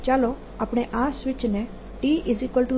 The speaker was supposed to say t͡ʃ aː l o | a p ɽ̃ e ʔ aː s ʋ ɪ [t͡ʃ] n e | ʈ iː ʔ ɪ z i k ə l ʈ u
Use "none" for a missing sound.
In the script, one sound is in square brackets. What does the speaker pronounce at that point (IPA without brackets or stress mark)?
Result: t͡ʃ